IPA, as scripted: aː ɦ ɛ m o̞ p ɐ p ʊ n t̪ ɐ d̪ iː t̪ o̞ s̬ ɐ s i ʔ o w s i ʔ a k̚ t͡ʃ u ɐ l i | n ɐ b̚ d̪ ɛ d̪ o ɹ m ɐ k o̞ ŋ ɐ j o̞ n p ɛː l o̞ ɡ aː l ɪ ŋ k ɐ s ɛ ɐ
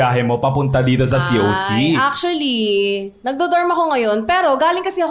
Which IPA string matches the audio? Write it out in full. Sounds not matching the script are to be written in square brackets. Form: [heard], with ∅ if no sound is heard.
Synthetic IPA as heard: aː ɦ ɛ m o̞ p ɐ p ʊ n t̪ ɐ d̪ iː t̪ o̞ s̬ ɐ s i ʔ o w s i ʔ a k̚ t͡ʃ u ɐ l i | n ɐ [ɡ̚] d̪ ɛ d̪ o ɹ m ɐ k o̞ ŋ ɐ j o̞ n p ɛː [ɾ] o̞ ɡ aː l ɪ ŋ k ɐ s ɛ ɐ